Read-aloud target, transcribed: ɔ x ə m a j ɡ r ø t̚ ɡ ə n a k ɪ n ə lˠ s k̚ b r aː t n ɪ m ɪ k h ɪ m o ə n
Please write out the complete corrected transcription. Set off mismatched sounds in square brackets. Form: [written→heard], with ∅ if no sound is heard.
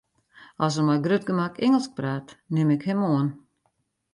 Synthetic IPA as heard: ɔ [x→s] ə m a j ɡ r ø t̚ ɡ ə [n→m] a k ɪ [n→ŋ] ə lˠ s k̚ [b→p] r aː t n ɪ m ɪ k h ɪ m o ə n